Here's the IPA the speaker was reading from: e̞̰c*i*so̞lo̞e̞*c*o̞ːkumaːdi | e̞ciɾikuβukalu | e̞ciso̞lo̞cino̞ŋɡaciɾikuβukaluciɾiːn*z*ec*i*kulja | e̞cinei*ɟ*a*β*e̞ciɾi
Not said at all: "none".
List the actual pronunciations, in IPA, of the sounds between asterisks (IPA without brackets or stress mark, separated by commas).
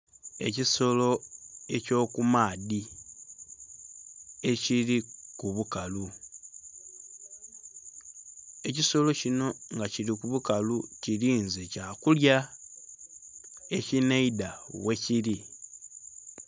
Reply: i, c, z, a, d, w